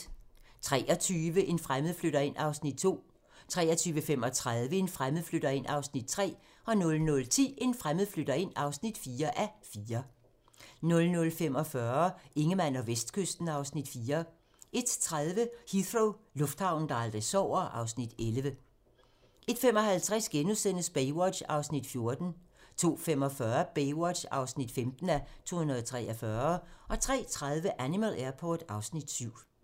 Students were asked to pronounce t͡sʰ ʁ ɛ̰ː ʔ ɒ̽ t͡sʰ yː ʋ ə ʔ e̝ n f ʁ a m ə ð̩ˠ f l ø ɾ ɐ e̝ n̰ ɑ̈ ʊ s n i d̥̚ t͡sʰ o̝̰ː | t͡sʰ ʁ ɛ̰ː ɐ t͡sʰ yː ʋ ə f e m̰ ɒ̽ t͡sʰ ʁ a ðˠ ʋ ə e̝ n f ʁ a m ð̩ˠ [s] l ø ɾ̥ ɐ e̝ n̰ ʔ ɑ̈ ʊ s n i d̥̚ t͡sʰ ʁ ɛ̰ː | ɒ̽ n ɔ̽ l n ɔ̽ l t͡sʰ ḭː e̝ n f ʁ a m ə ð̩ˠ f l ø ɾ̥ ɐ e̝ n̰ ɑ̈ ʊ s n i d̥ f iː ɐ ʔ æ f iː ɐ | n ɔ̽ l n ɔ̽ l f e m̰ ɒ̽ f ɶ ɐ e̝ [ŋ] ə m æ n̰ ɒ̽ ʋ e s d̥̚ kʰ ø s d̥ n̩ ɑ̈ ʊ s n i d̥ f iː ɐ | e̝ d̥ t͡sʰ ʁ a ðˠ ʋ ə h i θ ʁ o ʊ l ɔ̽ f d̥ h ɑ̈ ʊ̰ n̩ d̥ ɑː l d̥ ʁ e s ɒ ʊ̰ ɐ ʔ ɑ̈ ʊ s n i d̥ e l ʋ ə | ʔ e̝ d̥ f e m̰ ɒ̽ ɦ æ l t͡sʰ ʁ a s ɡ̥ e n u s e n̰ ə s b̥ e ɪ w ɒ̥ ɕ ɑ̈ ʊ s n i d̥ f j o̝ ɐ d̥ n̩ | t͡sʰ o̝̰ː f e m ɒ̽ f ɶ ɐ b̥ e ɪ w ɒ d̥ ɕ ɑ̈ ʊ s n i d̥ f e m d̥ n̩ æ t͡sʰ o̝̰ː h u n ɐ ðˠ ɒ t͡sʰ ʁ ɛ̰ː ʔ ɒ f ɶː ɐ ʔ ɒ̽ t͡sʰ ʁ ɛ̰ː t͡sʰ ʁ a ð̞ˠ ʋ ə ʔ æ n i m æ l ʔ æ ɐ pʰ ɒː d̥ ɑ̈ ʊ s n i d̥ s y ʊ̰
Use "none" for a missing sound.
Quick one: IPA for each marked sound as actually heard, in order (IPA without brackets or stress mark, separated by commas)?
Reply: f, ŋ